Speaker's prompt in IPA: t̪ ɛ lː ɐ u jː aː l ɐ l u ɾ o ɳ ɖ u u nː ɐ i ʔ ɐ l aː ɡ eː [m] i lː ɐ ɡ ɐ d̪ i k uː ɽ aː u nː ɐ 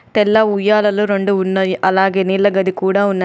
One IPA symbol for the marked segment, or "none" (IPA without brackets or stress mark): n